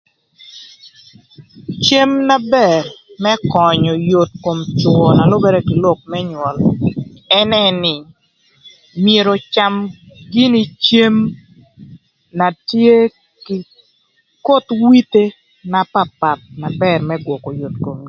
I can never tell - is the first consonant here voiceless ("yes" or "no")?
yes